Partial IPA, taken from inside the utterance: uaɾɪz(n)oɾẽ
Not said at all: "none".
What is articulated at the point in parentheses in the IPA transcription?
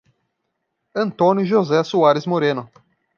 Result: m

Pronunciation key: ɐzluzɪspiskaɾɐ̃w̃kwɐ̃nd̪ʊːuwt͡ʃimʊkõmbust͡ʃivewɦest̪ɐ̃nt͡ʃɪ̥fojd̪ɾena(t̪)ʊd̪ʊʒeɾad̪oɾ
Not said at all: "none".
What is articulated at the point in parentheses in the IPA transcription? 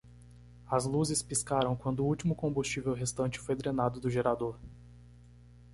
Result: d̪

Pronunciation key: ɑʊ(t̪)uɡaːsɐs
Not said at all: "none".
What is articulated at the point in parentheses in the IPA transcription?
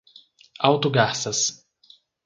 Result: t̪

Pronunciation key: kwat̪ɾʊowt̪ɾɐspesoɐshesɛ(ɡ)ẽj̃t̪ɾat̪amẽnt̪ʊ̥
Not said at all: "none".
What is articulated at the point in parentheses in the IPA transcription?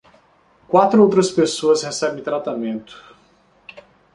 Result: b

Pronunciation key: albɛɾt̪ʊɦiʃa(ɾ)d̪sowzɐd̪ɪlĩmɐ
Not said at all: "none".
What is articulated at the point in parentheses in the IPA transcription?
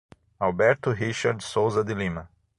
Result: ɾ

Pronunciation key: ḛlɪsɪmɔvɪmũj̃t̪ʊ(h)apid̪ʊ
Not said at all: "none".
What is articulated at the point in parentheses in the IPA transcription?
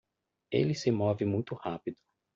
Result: h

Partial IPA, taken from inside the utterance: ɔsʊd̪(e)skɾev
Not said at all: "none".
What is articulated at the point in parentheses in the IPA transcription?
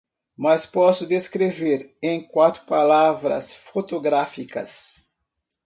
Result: e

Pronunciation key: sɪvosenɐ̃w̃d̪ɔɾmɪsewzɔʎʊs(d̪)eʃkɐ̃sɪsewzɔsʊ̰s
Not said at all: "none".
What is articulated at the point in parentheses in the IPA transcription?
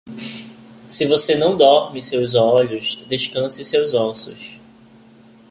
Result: d̪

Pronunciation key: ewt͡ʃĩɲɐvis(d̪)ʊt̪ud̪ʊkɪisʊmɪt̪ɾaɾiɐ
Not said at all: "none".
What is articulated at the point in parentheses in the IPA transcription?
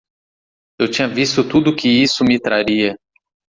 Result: t̪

